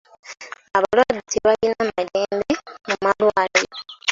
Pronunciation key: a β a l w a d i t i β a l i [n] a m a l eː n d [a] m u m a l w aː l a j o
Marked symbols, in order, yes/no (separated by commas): yes, no